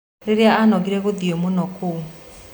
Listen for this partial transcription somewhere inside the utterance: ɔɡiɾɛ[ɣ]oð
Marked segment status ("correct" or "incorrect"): correct